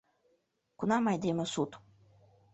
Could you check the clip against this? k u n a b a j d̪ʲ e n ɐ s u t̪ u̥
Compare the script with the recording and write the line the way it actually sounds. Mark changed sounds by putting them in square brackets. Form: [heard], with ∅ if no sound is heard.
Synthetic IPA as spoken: k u n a [m] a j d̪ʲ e [m] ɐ s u t̪ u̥